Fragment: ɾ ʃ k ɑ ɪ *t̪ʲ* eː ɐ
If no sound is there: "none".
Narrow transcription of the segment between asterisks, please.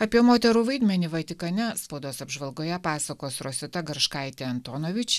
t̪ʲ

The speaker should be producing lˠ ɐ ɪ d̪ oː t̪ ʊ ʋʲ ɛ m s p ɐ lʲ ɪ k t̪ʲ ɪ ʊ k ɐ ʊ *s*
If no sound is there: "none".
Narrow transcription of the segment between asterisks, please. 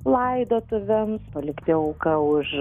ʃ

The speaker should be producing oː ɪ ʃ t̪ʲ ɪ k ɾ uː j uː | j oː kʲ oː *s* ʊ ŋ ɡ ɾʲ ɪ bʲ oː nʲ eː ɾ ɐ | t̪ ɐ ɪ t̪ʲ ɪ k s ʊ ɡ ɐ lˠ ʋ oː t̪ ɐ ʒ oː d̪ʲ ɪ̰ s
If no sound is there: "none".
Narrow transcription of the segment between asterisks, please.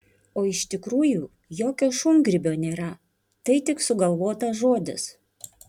ʃ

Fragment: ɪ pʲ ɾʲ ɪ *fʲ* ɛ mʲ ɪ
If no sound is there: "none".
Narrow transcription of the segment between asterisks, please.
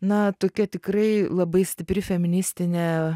fʲ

